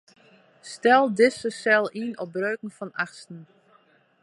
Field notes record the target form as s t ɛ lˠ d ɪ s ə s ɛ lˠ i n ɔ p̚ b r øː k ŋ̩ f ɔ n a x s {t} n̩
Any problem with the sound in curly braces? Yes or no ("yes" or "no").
no